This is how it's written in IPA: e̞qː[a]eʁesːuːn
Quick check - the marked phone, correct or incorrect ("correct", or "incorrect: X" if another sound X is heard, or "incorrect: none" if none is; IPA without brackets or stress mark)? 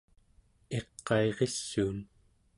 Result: incorrect: ɑ